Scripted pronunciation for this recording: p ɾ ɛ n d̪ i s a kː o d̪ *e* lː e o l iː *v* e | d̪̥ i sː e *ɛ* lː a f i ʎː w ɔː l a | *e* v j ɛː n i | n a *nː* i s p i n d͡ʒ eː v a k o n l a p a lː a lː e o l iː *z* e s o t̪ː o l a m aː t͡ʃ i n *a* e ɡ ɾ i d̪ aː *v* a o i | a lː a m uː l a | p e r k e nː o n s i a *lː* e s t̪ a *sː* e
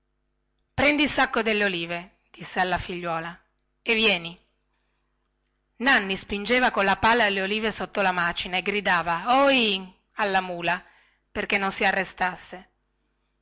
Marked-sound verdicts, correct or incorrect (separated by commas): correct, correct, incorrect, correct, correct, incorrect, correct, correct, incorrect, correct